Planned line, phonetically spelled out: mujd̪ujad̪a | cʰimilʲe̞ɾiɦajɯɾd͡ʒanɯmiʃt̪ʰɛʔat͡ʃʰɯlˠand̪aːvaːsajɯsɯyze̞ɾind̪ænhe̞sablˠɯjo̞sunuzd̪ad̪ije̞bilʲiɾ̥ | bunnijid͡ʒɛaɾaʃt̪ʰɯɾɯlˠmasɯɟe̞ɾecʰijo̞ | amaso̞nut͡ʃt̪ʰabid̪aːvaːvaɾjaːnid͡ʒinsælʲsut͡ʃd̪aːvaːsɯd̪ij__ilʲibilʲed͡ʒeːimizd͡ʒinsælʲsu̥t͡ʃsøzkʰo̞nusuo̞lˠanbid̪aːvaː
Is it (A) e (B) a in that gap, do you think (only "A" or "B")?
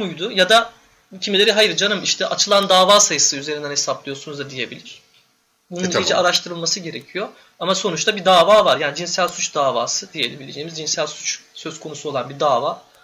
A